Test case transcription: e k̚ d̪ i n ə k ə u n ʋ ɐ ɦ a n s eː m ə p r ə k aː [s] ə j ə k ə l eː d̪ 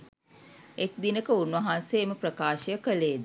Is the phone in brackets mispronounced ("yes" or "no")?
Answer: yes